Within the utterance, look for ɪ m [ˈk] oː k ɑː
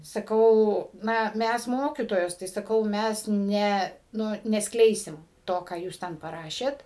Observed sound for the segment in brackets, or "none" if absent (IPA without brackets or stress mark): t